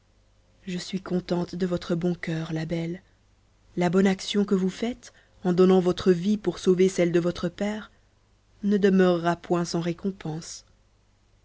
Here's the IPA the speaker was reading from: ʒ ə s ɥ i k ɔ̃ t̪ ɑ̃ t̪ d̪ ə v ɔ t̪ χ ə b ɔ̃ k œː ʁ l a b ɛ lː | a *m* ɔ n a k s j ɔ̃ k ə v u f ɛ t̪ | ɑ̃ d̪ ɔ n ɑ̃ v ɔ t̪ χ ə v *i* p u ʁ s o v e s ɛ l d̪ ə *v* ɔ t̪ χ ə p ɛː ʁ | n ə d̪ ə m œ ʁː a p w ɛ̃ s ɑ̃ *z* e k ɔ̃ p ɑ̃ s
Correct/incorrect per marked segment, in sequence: incorrect: b, correct, correct, incorrect: ʁ

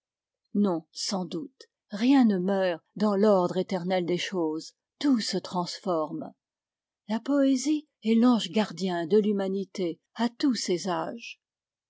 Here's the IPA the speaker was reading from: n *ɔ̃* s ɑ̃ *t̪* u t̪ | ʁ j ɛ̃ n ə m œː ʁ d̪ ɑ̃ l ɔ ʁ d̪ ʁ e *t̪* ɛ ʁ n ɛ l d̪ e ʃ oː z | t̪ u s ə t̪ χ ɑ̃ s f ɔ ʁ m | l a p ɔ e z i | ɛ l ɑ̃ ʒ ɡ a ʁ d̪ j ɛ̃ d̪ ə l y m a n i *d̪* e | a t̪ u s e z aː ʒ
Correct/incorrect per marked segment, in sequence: correct, incorrect: d̪, correct, incorrect: t̪

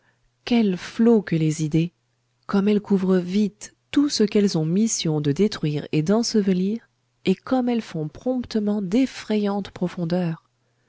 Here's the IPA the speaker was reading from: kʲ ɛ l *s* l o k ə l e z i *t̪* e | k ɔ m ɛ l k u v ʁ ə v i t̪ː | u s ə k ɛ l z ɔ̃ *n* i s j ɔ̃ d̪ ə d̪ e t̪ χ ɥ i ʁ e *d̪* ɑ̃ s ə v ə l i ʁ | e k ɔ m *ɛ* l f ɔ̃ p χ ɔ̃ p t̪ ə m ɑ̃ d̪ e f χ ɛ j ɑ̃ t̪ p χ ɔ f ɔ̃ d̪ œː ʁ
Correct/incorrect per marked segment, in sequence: incorrect: f, incorrect: d̪, incorrect: m, correct, correct

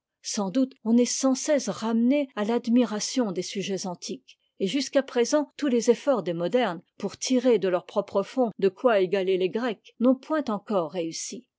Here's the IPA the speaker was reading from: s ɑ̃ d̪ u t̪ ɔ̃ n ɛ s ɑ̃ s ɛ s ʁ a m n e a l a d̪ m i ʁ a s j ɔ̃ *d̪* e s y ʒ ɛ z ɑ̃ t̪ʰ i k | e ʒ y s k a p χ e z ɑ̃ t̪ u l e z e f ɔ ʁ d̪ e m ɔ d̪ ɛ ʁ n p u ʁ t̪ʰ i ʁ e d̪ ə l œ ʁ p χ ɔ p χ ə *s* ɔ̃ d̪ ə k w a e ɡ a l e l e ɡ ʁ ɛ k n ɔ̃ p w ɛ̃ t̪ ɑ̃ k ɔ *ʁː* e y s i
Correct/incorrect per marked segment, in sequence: correct, incorrect: f, correct

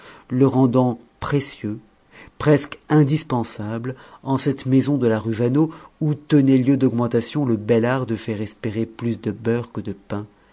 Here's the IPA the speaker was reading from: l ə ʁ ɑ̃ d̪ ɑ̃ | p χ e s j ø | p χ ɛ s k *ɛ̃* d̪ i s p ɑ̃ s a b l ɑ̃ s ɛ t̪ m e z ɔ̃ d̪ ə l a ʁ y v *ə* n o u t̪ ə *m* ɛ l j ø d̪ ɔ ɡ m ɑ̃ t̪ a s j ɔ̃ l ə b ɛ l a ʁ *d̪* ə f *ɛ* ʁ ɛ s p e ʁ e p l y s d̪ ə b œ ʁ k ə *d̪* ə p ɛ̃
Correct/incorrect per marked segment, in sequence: correct, incorrect: a, incorrect: n, correct, correct, correct

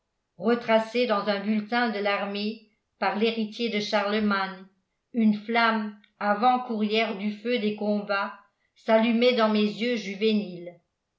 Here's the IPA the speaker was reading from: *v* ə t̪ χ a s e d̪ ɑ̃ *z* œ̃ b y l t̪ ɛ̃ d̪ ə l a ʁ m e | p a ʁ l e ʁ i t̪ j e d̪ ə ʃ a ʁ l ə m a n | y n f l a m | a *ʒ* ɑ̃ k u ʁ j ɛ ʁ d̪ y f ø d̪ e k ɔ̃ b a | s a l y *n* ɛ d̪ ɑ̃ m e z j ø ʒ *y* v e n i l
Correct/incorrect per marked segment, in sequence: incorrect: ʁ, correct, incorrect: v, incorrect: m, correct

